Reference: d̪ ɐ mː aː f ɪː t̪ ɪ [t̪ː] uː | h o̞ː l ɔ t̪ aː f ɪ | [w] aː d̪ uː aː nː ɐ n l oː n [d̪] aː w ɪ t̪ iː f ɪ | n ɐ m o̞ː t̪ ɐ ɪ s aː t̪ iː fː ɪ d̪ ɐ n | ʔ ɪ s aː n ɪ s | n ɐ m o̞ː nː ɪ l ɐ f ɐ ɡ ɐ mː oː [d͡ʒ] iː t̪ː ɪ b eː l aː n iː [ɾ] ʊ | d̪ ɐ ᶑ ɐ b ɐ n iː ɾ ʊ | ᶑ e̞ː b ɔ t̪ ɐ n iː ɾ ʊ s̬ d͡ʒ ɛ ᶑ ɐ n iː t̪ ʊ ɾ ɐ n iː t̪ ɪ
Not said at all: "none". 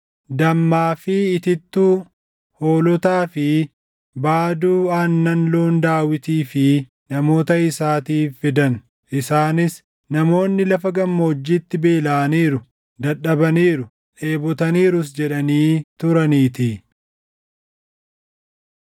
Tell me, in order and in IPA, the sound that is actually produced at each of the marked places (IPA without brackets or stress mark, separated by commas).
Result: t̪ː, b, d̪, d͡ʒː, ɾ